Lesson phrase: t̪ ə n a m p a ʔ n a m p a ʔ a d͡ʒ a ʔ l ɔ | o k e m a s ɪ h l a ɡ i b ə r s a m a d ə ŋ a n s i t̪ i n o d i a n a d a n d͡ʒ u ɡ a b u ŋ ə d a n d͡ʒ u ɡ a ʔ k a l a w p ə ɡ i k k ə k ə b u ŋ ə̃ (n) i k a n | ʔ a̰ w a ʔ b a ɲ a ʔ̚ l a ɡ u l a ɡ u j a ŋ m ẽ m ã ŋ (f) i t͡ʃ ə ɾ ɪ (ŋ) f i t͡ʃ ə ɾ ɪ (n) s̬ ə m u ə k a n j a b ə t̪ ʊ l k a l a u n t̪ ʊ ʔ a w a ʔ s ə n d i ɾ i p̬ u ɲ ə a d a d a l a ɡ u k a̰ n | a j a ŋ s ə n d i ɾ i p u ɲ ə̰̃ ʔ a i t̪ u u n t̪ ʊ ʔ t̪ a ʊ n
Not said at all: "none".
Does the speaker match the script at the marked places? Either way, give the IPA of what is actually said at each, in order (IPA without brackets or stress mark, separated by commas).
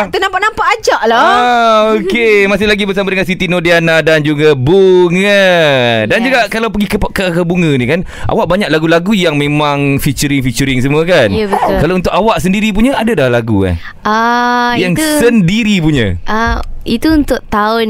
n, f, ŋ, ŋ